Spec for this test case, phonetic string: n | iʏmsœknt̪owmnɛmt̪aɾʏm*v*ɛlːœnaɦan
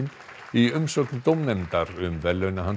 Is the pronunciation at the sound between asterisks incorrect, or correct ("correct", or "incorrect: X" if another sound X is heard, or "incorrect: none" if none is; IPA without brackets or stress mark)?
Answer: correct